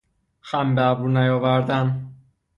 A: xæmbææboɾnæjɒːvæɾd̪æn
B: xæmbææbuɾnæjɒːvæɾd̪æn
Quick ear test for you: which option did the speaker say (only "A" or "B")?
B